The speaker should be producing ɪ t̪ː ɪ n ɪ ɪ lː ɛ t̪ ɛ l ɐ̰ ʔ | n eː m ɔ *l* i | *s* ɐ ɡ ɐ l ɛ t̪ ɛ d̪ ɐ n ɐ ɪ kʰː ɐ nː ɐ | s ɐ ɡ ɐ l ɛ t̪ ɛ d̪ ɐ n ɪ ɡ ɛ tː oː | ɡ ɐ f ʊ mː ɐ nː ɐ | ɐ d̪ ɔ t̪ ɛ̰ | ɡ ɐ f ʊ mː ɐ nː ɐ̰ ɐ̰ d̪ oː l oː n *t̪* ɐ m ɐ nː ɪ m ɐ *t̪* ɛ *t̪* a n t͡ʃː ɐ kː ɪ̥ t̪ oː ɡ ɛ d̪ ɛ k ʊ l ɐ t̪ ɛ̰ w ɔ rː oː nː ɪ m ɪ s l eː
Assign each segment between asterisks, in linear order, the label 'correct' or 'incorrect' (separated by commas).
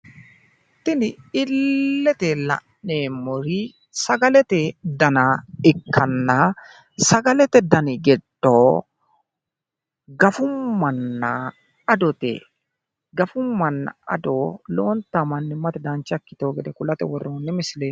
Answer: incorrect, correct, correct, correct, incorrect